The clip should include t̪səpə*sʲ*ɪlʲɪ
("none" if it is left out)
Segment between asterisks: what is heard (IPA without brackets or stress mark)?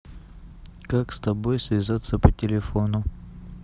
tʲ